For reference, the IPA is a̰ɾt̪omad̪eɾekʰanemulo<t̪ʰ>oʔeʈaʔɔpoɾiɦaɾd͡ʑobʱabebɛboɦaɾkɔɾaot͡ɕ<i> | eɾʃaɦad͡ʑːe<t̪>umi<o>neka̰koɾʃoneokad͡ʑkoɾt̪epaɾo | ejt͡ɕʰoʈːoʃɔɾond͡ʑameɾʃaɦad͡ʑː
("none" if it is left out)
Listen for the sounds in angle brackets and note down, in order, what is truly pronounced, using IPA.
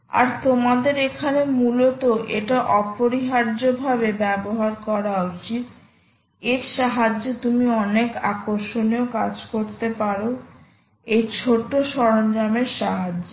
t̪, i, t̪, ɔ

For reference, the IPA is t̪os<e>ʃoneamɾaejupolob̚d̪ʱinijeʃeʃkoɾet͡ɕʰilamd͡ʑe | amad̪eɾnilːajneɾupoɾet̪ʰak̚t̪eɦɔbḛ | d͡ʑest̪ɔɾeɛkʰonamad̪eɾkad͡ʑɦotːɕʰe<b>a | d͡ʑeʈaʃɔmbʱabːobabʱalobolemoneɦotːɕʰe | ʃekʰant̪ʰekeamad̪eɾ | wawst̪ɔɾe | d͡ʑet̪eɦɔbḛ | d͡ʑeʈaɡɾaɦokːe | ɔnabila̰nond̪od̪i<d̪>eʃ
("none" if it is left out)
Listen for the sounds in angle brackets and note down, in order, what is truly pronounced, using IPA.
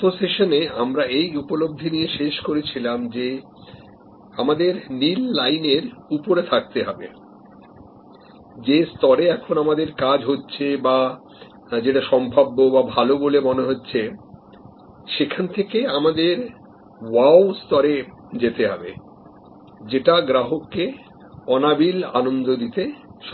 e, b, t̪

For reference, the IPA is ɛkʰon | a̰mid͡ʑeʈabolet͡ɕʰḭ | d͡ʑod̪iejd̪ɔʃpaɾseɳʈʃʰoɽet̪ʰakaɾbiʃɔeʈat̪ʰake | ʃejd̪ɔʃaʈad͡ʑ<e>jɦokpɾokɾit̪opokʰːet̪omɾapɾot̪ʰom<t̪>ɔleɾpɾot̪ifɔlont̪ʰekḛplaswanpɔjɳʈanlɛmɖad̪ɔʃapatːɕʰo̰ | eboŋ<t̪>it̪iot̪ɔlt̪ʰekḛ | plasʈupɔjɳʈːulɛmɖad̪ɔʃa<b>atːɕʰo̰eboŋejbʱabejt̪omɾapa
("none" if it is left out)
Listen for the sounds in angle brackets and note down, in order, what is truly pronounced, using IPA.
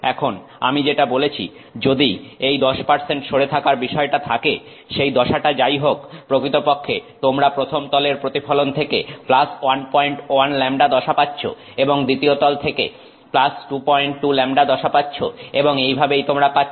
a, t̪, d̪, p

